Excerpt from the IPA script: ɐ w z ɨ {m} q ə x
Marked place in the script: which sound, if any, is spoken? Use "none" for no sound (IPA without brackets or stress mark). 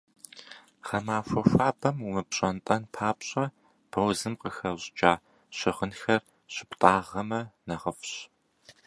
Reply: m